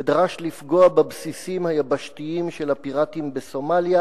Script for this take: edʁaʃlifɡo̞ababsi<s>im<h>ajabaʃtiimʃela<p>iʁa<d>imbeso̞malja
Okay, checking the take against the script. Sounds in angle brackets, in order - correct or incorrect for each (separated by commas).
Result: correct, correct, correct, incorrect